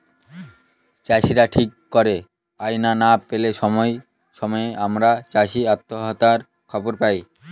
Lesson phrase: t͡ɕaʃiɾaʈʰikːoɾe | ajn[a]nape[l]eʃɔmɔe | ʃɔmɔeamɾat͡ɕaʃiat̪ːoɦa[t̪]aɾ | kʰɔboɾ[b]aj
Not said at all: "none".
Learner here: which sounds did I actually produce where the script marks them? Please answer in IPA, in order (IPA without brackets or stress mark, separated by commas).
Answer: a, l, t̪, p